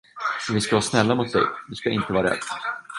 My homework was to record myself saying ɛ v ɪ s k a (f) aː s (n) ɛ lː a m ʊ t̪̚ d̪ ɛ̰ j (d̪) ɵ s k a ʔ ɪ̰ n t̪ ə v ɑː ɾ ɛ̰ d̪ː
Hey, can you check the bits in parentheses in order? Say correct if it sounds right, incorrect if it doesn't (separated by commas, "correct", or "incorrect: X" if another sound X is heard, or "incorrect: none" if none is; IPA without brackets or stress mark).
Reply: incorrect: v, correct, correct